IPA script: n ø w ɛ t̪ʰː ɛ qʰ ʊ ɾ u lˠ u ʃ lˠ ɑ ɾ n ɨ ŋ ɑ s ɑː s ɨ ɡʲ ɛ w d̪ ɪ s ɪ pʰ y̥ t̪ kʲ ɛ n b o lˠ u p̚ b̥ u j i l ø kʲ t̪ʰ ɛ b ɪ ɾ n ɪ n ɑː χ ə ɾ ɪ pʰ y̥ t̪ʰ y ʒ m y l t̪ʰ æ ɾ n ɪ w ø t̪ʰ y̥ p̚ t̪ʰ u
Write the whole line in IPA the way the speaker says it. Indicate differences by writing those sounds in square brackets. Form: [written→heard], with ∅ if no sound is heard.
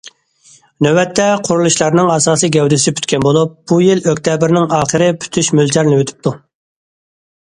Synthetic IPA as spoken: n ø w ɛ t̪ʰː ɛ qʰ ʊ ɾ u lˠ u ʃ lˠ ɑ ɾ n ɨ ŋ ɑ s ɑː s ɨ ɡʲ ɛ w d̪ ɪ s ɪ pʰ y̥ t̪ kʲ ɛ n b o lˠ u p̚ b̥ u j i l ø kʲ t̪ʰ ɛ b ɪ ɾ n ɪ [n→ŋ] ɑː χ ə ɾ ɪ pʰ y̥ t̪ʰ y [ʒ→ʃ] m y l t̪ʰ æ ɾ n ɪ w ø t̪ʰ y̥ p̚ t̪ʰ u